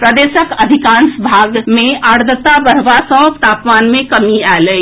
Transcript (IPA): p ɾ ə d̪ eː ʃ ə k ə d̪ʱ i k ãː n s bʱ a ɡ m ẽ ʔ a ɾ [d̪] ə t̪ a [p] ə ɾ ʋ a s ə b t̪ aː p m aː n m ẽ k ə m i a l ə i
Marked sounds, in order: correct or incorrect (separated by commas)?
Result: correct, incorrect